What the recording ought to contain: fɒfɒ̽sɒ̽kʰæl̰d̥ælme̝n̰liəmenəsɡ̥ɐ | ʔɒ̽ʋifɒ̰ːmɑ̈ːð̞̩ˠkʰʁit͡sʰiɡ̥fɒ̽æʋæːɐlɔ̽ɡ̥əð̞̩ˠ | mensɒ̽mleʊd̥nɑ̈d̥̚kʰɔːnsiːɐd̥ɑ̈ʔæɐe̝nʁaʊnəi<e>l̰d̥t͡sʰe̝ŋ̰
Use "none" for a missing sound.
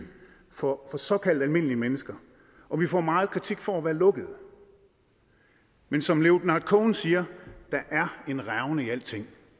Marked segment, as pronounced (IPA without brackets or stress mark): æ